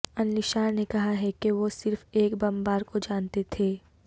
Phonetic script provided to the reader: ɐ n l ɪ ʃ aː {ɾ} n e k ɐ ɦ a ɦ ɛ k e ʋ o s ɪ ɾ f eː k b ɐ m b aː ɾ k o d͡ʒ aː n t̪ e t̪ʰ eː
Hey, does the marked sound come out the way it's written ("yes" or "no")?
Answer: yes